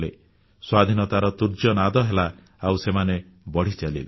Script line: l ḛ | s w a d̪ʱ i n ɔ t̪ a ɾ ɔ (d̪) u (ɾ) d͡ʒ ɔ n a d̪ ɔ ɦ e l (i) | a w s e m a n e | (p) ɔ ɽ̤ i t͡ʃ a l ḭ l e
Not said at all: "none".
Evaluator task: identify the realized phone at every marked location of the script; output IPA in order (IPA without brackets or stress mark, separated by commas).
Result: t̪, ɾ, a, b